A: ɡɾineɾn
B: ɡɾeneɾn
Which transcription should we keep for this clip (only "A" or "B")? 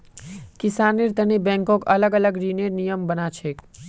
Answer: A